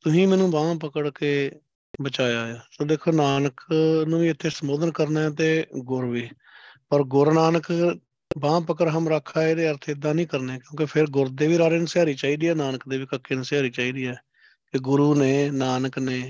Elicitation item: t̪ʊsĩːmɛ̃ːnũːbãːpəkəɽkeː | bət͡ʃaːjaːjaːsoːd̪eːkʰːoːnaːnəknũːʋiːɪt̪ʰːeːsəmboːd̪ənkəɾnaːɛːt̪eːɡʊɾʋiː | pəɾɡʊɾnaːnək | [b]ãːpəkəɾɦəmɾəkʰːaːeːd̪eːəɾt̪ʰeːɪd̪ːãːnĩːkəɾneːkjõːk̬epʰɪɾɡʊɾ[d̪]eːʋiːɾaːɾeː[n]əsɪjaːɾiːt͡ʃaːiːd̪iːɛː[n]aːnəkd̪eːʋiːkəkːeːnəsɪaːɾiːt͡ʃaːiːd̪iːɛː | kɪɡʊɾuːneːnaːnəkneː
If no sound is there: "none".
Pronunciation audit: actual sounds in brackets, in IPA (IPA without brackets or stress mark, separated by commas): b, d̪, n, n